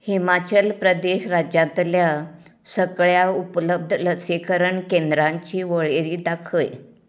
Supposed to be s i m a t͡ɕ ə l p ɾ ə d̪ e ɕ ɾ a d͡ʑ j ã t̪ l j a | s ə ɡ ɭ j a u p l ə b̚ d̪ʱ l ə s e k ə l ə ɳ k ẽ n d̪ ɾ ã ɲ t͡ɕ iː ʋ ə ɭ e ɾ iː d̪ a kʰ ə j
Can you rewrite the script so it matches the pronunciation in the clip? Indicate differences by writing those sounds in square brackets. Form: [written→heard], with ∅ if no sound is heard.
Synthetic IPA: [s→h] i m a t͡ɕ ə l p ɾ ə d̪ e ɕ ɾ a d͡ʑ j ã t̪ l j a | s ə ɡ ɭ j a u p l ə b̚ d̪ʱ l ə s e k ə [l→ɾ] ə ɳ k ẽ n d̪ ɾ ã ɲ t͡ɕ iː ʋ ə ɭ e ɾ iː d̪ a kʰ ə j